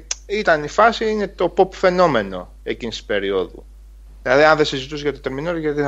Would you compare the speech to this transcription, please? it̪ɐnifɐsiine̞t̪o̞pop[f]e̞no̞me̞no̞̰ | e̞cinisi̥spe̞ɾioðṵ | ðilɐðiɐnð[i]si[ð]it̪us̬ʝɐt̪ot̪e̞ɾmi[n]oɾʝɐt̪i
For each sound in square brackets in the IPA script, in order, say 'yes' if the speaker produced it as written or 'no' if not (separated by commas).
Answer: yes, no, no, yes